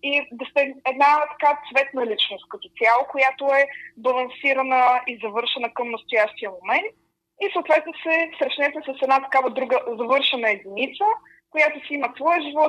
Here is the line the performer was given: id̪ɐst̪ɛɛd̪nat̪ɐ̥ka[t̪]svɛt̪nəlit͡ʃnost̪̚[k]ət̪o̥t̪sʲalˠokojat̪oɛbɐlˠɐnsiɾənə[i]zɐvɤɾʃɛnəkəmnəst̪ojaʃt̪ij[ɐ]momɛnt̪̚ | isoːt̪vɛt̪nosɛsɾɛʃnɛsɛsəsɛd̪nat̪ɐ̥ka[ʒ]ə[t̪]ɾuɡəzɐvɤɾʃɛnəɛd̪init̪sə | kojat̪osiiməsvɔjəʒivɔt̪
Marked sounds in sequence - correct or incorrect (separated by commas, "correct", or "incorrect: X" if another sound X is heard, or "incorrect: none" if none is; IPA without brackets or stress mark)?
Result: correct, correct, correct, incorrect: ə, incorrect: v, incorrect: d̪